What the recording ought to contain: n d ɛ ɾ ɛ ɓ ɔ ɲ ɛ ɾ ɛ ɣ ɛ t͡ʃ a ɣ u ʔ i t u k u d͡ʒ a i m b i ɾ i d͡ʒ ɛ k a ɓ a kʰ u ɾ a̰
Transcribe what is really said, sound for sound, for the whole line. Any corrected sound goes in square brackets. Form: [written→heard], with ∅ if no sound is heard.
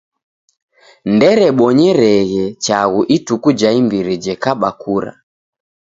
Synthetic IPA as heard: n d ɛ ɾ ɛ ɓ ɔ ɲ ɛ ɾ ɛ ɣ ɛ t͡ʃ a ɣ u ʔ i t u k u d͡ʒ a i m b i ɾ i d͡ʒ ɛ k a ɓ a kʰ u ɾ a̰